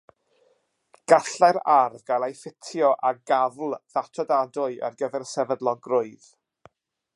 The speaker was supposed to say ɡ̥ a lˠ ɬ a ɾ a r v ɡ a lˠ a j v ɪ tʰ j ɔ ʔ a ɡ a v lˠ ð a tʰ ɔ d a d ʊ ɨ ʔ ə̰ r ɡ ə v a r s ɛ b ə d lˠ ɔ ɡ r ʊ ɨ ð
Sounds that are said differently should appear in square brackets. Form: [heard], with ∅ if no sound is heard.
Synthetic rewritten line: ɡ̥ a [∅] ɬ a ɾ a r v ɡ a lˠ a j [f] ɪ tʰ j ɔ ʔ a ɡ a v lˠ ð a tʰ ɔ d a d ʊ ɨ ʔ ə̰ r ɡ ə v [ɛ] r s ɛ [v] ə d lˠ ɔ ɡ r ʊ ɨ ð